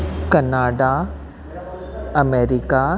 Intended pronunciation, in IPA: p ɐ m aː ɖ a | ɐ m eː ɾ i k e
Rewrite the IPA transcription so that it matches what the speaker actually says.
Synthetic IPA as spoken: k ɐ n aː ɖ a | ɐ m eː ɾ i k a